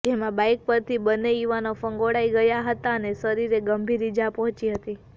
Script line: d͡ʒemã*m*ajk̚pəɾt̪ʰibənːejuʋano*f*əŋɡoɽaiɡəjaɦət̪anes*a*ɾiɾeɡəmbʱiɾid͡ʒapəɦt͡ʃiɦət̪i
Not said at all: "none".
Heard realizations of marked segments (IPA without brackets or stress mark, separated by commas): b, f, ə